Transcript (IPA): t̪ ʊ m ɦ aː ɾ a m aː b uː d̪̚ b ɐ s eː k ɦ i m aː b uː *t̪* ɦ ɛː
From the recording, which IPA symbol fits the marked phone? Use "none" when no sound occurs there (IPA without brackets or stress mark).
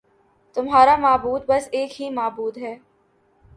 d̪